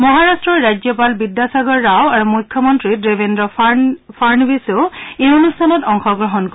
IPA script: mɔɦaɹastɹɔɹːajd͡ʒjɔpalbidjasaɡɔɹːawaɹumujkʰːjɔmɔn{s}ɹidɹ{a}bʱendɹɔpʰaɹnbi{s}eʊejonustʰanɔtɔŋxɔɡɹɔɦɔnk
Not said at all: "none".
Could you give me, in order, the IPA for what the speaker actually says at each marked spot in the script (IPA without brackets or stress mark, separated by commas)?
t, e, s